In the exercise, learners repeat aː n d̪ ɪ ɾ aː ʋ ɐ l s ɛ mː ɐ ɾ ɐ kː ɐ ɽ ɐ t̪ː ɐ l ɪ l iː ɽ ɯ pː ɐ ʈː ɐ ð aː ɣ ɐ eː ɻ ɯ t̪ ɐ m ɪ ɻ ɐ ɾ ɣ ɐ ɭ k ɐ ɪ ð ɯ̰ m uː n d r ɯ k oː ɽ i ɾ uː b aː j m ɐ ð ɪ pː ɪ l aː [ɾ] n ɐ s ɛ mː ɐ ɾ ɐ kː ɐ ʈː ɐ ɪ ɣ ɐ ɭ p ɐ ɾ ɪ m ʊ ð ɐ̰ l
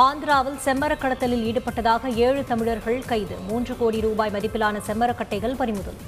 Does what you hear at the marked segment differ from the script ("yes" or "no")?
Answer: yes